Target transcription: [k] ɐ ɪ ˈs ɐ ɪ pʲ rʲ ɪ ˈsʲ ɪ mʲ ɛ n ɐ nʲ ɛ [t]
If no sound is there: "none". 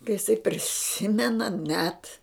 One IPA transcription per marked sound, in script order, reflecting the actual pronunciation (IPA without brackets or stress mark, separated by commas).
k, t